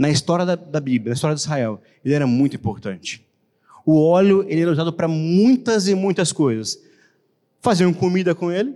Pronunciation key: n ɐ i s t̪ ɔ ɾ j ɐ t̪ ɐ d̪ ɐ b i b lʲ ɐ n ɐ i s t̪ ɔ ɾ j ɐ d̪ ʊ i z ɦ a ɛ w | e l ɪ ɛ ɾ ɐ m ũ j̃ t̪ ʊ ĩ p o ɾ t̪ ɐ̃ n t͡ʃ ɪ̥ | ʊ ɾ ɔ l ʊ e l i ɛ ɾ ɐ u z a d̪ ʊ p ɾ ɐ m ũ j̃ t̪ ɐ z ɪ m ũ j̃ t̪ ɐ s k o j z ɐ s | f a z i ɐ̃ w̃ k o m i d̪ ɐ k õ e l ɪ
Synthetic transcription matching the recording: n ɐ i s t̪ ɔ ɾ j ɐ d̪ ɐ d̪ ɐ b i b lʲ ɐ n ɐ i s t̪ ɔ ɾ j ɐ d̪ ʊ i z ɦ a ɛ w | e l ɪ ɛ ɾ ɐ m ũ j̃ t̪ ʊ ĩ p o ɾ t̪ ɐ̃ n t͡ʃ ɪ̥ | ʊ ɔ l ʊ e l ɪ ɛ ɾ ɐ u z a d̪ ʊ p ɾ ɐ m ũ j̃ t̪ ɐ z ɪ m ũ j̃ t̪ ɐ s k o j z ɐ s | f a z i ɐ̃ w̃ k o m i d̪ ɐ k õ e l ɪ